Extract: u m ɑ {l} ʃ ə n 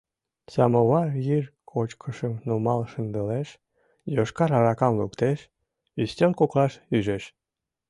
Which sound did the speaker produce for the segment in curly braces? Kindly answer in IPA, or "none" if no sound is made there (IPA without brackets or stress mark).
l